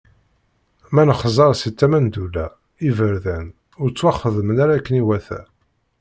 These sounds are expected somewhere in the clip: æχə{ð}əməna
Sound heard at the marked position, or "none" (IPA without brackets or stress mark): ð